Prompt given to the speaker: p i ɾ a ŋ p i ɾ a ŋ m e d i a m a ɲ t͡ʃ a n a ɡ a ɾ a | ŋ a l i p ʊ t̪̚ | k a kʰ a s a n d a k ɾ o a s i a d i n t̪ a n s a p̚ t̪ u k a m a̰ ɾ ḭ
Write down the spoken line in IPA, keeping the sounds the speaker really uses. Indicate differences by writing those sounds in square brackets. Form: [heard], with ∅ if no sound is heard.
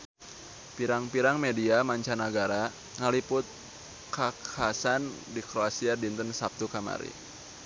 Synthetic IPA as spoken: p i ɾ a ŋ p i ɾ a ŋ m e d i a m a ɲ t͡ʃ a n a ɡ a ɾ a | ŋ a l i p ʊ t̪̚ | k a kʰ a s a n d [i] k ɾ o a s i a d i n t̪ [ə] n s a p̚ t̪ u k a m a̰ ɾ ḭ